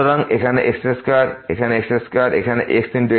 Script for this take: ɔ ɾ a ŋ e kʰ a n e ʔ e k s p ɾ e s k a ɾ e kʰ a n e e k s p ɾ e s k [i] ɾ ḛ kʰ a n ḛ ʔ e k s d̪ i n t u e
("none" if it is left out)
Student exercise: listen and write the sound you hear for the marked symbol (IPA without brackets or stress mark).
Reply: a